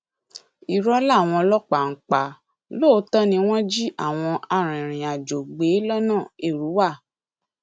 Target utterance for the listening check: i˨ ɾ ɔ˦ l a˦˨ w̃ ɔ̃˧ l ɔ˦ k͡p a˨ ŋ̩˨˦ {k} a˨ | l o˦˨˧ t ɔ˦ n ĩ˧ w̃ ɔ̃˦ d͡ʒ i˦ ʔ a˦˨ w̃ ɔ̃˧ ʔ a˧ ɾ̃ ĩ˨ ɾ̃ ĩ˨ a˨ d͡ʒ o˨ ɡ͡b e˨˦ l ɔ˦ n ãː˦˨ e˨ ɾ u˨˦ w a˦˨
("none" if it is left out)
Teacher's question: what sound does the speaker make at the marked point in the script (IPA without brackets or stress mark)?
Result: k͡p